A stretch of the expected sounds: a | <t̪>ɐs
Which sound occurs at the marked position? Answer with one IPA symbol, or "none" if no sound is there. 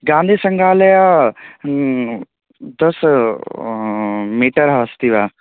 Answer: d̪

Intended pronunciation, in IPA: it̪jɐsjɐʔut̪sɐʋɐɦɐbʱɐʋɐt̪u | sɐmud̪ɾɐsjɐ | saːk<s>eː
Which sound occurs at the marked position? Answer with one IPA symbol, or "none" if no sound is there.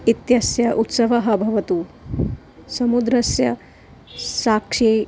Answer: ʂ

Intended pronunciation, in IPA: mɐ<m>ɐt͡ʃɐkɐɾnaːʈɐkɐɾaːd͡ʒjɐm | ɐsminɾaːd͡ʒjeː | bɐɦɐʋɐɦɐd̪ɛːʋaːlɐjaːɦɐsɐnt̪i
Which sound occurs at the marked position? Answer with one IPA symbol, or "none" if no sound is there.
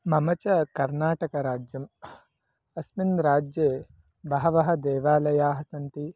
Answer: m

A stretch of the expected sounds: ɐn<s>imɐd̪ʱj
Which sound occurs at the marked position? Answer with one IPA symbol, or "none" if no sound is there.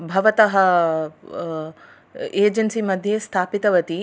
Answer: s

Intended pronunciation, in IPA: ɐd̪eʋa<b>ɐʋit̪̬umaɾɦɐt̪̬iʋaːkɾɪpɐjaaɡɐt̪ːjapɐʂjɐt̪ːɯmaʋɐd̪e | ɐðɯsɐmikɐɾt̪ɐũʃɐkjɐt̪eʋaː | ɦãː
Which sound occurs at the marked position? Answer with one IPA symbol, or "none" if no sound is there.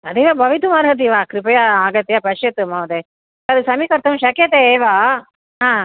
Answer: b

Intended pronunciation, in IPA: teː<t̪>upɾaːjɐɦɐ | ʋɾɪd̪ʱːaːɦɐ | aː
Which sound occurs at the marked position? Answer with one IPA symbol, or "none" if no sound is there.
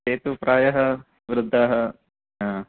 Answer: t̪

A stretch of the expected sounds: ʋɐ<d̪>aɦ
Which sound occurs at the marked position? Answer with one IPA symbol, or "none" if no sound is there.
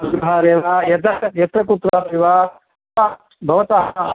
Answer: t̪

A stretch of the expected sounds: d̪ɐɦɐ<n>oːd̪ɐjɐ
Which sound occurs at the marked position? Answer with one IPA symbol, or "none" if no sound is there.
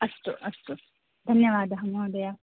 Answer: m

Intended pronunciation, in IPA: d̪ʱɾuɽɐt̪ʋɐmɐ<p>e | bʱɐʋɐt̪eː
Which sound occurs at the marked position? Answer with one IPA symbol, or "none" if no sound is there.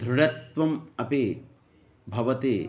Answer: p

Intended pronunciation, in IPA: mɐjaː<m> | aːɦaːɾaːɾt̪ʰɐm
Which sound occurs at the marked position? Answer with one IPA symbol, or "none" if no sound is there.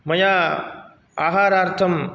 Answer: none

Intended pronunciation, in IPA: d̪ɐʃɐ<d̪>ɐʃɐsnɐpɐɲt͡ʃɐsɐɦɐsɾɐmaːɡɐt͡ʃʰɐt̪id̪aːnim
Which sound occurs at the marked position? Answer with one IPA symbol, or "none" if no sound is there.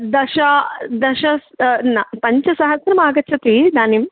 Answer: d̪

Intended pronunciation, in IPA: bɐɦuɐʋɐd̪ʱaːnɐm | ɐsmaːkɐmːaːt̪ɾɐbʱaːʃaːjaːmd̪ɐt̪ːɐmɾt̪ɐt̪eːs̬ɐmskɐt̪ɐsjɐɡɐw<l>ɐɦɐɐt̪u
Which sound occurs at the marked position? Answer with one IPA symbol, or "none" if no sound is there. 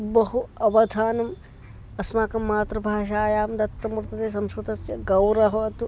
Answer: ɾ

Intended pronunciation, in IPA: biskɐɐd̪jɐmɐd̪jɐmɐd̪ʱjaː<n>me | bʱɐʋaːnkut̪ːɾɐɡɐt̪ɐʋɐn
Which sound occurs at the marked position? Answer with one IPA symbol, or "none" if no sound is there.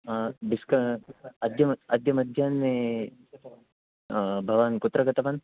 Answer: n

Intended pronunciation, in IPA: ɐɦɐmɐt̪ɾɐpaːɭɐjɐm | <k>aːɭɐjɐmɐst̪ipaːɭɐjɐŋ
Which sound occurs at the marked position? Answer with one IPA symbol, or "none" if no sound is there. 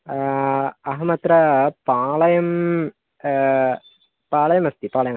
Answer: p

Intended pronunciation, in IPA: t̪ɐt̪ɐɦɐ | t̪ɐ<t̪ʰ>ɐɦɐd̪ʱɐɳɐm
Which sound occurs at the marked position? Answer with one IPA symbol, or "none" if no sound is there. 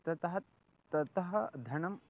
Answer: t̪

